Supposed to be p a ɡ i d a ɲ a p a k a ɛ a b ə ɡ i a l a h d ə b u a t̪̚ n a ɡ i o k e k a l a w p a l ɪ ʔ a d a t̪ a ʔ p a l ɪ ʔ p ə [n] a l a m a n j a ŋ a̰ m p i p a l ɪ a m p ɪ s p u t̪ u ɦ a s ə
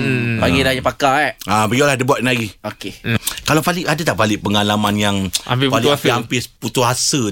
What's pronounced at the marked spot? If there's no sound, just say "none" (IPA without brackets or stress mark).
ŋ